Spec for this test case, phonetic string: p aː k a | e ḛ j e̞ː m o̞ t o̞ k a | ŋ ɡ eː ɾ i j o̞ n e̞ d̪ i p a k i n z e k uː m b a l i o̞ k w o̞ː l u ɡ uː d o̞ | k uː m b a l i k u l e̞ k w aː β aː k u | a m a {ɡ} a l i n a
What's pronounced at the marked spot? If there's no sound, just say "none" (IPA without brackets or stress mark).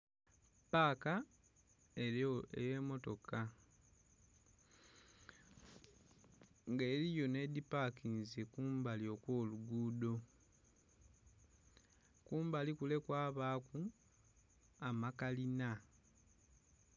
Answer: k